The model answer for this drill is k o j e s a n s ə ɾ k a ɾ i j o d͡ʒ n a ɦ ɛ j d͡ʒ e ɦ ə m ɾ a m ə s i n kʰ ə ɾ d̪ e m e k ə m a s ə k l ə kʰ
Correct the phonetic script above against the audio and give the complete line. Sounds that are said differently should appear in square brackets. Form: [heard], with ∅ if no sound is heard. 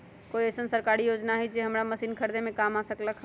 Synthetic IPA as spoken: k o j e s [ə] n s ə ɾ k a ɾ i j o d͡ʒ n a ɦ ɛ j d͡ʒ e ɦ ə m ɾ a m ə s i n kʰ ə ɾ d̪ e m e k [a] m a s ə k l ə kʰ